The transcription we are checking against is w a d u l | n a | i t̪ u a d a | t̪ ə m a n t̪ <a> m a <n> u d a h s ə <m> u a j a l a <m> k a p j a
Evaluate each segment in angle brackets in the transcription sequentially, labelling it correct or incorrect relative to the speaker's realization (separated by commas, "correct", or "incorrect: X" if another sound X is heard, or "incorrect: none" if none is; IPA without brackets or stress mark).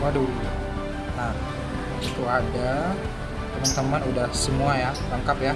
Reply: incorrect: ə, correct, correct, incorrect: ŋ